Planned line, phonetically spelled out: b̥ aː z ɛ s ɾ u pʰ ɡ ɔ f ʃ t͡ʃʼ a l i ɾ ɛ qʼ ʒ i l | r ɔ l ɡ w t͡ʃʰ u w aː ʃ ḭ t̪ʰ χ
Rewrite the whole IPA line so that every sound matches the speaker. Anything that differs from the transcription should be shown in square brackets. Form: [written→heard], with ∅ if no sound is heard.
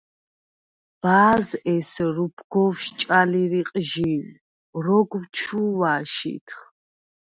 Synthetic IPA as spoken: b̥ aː z ɛ s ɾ u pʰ ɡ ɔ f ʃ t͡ʃʼ a l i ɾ [ɛ→i] qʼ ʒ i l | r ɔ [l→∅] ɡ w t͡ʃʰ u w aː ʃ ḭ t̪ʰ χ